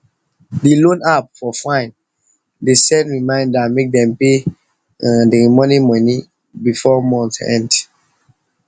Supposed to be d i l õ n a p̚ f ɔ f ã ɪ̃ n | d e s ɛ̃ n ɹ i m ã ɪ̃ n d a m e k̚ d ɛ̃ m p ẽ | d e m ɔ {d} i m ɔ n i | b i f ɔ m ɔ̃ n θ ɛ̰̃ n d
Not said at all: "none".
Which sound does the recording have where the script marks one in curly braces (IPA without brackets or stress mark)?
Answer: n